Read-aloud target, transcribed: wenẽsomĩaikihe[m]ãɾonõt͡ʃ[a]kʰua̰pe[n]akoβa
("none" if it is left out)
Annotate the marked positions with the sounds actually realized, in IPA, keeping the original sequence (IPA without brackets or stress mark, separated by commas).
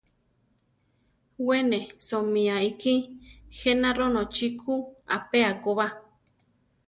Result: n, i, none